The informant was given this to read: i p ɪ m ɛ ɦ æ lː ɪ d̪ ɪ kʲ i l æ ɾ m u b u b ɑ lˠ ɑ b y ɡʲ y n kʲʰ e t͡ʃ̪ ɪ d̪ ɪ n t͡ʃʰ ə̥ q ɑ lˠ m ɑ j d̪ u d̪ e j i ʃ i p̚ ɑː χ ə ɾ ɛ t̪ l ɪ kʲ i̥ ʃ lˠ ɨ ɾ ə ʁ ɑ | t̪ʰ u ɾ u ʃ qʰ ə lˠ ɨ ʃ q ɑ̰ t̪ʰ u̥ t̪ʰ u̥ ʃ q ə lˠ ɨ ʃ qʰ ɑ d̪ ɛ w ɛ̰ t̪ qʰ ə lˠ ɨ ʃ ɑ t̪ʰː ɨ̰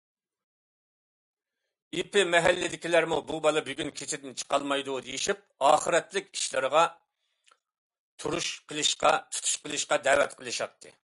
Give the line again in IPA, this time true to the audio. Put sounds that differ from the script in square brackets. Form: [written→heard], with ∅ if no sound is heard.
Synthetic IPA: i p ɪ m ɛ ɦ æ lː ɪ d̪ ɪ kʲ i l æ ɾ m u b u b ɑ lˠ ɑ b y ɡʲ y n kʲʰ e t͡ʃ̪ ɪ d̪ ɪ n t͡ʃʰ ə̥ q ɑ lˠ m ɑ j d̪ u d̪ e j i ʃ i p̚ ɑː χ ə ɾ ɛ t̪ l ɪ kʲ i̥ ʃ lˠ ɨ ɾ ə ʁ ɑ | t̪ʰ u ɾ u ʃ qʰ ə lˠ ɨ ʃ q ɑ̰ t̪ʰ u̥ t̪ʰ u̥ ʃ q ə lˠ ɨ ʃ [qʰ→q] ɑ d̪ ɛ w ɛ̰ t̪ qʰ ə lˠ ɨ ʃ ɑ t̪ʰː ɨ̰

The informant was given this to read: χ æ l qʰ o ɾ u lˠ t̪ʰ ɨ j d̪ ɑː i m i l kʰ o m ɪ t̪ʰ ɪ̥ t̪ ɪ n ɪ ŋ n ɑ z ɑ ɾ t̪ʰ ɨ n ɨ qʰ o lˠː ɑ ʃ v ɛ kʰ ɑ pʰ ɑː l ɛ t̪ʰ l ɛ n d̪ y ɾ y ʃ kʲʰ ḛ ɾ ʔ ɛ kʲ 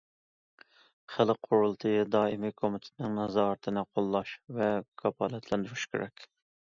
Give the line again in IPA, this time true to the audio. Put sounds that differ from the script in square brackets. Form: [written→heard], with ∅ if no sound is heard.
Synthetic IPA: χ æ l qʰ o ɾ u lˠ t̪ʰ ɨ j d̪ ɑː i m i [l→∅] kʰ o m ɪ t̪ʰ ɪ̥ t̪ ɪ n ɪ ŋ n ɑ z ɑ ɾ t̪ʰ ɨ n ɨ qʰ o lˠː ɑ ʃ v ɛ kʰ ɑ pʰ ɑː l ɛ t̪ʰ l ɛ n d̪ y ɾ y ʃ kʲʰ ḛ ɾ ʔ ɛ kʲ

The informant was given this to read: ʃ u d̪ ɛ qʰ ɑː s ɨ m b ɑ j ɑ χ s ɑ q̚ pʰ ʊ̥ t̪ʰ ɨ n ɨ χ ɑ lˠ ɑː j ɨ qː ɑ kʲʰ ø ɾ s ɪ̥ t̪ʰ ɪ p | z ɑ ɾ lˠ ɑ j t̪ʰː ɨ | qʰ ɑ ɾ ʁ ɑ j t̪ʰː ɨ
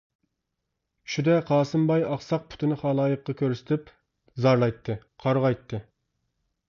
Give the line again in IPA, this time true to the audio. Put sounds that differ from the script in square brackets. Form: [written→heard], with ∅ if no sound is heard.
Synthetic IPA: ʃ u d̪ ɛ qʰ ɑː s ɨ m b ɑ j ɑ χ s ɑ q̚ pʰ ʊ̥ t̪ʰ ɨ n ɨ χ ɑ lˠ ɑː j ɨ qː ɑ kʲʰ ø ɾ s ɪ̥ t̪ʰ ɪ p | z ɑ ɾ lˠ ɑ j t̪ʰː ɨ | qʰ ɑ ɾ ʁ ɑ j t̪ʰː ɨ

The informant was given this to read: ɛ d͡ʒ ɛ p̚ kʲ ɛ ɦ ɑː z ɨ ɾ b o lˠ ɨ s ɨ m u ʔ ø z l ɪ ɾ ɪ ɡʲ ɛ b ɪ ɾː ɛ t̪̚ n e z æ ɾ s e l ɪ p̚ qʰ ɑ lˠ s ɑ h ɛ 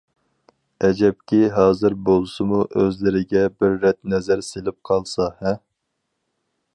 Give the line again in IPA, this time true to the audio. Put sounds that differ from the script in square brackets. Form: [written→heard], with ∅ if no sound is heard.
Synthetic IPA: ɛ d͡ʒ ɛ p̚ kʲ [ɛ→i] ɦ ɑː z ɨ ɾ b o lˠ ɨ s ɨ m u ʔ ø z l ɪ ɾ ɪ ɡʲ ɛ b ɪ ɾː ɛ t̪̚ n [e→ɛ] z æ ɾ s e l ɪ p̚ qʰ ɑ lˠ s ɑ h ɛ

